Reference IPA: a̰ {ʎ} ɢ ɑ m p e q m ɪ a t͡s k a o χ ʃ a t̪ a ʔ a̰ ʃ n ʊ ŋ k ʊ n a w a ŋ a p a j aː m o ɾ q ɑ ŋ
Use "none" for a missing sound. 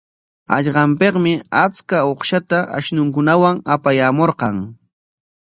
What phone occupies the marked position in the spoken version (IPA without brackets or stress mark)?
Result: ʎ